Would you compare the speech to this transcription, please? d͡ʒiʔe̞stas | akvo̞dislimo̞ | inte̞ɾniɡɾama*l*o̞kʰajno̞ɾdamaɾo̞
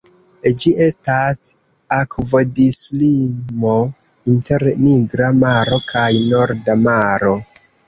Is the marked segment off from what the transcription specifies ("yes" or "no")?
yes